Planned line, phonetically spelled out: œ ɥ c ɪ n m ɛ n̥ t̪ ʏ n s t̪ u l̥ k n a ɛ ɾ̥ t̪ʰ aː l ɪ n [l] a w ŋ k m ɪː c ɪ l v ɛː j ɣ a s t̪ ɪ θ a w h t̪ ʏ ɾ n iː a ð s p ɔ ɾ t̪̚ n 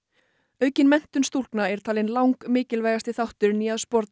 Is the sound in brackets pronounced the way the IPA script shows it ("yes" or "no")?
yes